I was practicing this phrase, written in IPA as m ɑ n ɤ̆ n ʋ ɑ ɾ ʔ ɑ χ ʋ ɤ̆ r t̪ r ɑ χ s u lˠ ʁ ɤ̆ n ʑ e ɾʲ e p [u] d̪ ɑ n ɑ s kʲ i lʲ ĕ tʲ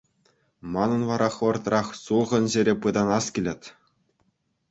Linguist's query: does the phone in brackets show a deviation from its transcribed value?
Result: yes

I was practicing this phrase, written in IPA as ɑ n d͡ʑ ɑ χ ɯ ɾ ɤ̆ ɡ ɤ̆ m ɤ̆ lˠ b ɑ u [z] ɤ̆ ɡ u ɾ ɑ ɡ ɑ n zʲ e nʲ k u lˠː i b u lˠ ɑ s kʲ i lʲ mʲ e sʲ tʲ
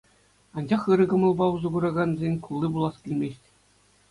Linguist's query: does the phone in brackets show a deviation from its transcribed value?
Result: no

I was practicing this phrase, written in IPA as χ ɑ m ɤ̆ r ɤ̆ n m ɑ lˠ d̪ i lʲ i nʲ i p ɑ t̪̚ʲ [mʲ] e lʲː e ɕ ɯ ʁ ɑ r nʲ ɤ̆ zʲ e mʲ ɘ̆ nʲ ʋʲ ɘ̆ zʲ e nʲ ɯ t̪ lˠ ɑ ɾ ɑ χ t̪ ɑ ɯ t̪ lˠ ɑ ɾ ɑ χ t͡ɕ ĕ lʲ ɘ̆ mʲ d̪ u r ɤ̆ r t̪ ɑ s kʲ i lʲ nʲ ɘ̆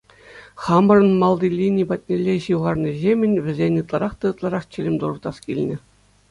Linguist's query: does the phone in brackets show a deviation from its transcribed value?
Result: yes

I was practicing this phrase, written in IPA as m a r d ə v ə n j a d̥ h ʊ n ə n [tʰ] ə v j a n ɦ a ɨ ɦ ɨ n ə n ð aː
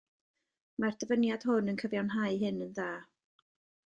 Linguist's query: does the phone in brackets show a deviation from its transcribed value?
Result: yes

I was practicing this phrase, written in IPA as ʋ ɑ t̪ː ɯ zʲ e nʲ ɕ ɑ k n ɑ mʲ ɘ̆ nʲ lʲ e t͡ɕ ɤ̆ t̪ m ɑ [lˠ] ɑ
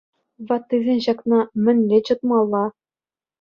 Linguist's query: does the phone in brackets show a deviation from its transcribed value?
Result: yes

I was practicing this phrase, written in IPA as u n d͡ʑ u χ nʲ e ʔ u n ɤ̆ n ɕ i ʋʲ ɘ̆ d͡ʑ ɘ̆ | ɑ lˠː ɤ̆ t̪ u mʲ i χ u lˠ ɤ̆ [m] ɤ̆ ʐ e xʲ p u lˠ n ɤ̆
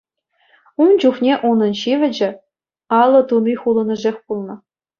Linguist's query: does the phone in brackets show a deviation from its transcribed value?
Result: yes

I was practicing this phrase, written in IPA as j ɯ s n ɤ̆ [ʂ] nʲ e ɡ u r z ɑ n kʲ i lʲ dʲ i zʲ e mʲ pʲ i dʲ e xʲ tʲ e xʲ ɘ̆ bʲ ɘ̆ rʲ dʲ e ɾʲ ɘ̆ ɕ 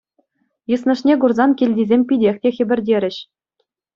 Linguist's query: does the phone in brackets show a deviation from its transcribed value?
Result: no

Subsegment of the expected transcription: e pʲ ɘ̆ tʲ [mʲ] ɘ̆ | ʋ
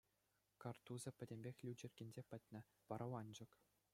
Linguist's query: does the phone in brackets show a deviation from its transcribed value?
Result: yes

